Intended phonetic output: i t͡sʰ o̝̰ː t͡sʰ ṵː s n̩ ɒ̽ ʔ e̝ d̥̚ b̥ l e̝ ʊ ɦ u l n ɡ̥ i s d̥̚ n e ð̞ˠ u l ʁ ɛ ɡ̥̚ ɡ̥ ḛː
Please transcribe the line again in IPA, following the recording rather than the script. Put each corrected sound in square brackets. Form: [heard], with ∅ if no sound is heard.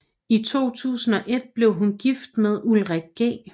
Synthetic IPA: i t͡sʰ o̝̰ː t͡sʰ ṵː s n̩ ɒ̽ ʔ e̝ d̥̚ b̥ l e̝ ʊ ɦ u [∅] n ɡ̥ i [f] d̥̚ [m] e ð̞ˠ u l ʁ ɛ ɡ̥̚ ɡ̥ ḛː